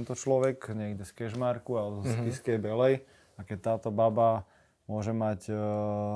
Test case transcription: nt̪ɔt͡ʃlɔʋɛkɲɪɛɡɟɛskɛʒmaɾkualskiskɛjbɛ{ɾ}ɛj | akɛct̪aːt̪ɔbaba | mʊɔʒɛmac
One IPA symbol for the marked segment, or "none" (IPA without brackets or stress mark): l